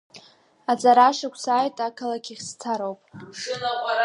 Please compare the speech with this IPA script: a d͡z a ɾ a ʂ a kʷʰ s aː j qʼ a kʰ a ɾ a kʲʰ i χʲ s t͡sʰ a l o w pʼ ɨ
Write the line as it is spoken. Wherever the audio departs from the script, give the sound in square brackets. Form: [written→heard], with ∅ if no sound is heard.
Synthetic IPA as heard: a d͡z a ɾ a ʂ a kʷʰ s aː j [qʼ→tʼ] a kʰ a [ɾ→l] a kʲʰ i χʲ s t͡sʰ a [l→ɾ] o w pʼ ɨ